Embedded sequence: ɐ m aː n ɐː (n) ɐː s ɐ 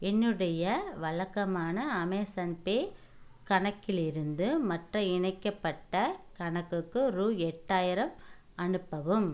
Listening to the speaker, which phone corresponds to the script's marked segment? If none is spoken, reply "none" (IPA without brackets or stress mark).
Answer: m